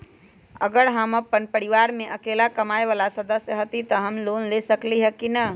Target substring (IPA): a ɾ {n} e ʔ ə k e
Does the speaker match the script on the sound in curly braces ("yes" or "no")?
no